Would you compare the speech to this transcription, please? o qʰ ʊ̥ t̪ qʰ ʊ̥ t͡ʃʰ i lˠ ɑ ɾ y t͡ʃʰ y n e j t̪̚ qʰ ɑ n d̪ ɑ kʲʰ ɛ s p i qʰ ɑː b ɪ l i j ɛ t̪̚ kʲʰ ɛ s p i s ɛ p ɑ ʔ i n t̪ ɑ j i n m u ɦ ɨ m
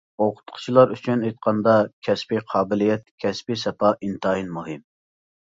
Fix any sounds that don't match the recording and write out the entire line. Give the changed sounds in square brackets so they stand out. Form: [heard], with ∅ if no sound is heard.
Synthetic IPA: o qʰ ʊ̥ t̪ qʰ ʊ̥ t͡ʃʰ i lˠ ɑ ɾ y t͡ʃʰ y n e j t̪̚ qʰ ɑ n d̪ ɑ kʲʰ ɛ s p i qʰ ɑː b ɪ l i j ɛ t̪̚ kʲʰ ɛ s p i s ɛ p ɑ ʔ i n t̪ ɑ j i n m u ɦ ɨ m